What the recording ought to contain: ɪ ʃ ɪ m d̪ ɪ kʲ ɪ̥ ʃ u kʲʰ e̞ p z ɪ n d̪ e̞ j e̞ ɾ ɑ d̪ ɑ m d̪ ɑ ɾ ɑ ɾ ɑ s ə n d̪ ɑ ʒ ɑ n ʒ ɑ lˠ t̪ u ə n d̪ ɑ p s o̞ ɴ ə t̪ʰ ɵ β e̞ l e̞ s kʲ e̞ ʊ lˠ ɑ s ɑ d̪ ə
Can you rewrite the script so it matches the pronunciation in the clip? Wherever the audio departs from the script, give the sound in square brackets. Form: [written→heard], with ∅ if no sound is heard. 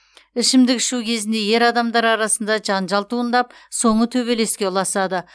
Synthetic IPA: ɪ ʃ ɪ m d̪ ɪ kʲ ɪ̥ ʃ u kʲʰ e̞ [p→∅] z ɪ n d̪ e̞ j e̞ ɾ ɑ d̪ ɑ m d̪ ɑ ɾ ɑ ɾ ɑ s ə n d̪ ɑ ʒ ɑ n ʒ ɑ lˠ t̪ u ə n d̪ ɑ p s o̞ ɴ ə t̪ʰ ɵ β e̞ l e̞ s kʲ e̞ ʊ lˠ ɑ s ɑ d̪ ə